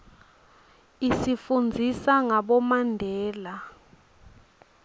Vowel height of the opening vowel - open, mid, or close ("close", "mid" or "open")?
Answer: close